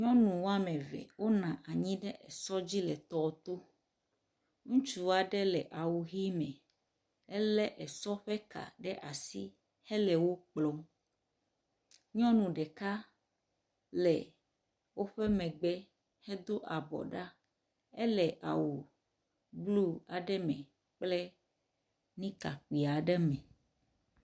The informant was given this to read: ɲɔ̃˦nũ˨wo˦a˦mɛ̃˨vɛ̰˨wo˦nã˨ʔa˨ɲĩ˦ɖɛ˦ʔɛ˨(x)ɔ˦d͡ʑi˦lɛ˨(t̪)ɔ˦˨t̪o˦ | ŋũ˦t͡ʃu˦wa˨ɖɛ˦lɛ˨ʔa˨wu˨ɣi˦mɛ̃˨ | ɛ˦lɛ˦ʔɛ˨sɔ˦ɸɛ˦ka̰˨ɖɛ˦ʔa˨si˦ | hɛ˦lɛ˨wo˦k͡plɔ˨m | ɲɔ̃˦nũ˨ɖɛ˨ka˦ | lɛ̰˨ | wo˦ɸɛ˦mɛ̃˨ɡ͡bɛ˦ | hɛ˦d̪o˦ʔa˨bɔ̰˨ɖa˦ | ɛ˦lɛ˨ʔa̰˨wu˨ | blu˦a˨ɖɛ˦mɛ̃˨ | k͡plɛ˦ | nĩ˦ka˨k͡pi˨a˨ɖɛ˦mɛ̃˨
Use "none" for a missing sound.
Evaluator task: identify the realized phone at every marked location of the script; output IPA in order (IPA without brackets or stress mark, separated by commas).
s, t̪